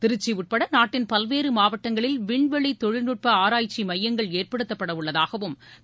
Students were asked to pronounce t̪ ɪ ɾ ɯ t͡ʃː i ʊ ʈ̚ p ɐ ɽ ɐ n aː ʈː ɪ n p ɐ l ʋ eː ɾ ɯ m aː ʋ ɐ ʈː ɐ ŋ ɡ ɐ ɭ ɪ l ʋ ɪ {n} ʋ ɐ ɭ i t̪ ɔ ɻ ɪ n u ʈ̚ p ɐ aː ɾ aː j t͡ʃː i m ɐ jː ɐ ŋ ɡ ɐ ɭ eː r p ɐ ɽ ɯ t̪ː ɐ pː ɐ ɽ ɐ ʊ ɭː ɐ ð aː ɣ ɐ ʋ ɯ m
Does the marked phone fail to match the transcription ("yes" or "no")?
yes